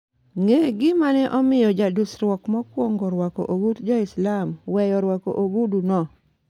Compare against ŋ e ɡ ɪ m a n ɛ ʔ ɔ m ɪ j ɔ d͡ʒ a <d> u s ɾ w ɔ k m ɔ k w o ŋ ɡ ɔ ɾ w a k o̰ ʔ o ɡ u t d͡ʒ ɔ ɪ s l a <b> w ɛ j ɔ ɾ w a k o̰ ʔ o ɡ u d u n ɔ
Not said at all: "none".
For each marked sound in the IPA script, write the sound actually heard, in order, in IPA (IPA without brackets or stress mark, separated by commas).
d, m